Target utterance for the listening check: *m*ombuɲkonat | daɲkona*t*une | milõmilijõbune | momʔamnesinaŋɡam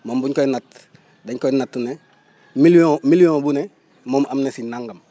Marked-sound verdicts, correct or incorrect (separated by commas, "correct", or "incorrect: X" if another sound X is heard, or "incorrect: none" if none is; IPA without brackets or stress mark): correct, correct